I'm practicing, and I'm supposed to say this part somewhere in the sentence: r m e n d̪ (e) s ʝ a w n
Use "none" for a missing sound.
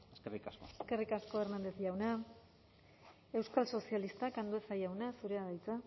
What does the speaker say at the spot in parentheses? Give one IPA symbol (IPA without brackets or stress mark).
e